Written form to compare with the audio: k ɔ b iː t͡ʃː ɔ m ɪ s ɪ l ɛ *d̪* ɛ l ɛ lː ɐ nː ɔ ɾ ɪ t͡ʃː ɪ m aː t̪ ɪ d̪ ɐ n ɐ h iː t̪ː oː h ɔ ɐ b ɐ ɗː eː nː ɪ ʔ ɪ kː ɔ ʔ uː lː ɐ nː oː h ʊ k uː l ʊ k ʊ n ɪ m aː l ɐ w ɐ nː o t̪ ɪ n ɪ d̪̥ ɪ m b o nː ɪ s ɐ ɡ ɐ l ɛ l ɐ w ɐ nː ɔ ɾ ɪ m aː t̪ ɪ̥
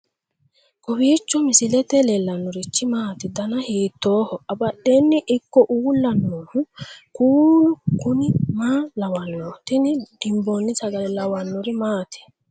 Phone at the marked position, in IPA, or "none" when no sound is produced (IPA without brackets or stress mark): t̪